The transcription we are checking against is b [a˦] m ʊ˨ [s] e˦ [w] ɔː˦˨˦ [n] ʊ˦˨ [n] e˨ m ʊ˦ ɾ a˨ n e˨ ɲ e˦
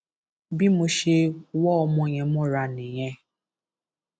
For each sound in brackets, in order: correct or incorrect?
incorrect: i˦, incorrect: ʃ, correct, incorrect: m, incorrect: ɲ

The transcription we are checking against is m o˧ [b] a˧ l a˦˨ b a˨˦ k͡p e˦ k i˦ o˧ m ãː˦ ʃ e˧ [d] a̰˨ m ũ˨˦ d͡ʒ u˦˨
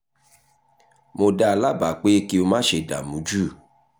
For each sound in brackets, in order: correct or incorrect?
incorrect: d, correct

